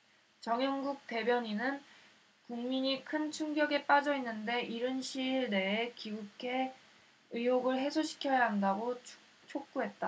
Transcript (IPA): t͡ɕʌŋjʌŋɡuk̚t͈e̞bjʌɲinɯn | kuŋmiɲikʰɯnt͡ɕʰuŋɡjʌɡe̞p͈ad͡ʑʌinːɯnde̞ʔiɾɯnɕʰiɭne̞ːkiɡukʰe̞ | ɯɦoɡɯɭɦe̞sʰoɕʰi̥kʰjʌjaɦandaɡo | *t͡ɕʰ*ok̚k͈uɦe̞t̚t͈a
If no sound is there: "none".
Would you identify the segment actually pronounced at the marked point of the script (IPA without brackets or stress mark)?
t͡ɕʰ